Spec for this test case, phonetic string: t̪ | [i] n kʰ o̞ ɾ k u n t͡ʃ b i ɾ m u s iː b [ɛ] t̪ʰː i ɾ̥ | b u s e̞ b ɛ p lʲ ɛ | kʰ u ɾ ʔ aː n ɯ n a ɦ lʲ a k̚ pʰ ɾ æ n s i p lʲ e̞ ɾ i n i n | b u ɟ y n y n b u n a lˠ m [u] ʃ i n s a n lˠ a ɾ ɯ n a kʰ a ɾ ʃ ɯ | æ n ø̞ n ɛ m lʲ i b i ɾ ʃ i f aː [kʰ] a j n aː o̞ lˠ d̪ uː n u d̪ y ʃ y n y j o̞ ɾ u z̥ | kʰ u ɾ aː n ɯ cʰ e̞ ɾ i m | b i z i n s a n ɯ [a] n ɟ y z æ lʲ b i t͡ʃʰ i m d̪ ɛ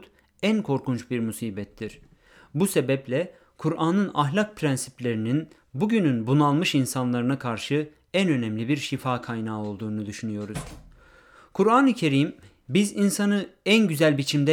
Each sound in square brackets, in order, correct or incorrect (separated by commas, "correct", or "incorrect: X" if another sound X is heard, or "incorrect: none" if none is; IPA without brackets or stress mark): incorrect: æ, correct, incorrect: ɯ, correct, incorrect: æ